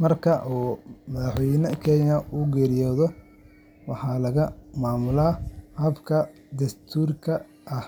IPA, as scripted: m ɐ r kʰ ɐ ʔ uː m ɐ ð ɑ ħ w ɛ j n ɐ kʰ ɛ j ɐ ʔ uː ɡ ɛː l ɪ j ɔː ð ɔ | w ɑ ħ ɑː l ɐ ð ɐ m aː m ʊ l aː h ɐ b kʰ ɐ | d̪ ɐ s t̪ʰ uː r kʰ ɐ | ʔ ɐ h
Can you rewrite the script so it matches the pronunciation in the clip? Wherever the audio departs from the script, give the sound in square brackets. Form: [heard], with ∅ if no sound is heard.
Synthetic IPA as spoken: m ɐ r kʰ ɐ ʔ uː m ɐ ð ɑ ħ w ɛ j n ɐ kʰ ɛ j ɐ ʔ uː ɡ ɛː [ɾ] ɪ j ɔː ð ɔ | w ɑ ħ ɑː l ɐ [ɣ] ɐ m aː m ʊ l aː h ɐ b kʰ ɐ | d̪ ɐ s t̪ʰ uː r kʰ ɐ | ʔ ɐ h